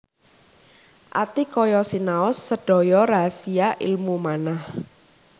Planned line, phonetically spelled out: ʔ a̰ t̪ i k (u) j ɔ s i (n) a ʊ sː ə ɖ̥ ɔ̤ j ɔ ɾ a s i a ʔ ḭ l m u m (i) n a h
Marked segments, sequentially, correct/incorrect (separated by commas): incorrect, correct, incorrect